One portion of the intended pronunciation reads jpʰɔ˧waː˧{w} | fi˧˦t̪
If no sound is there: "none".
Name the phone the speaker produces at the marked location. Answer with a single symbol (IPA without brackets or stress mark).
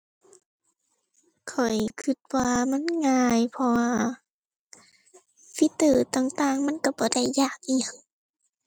none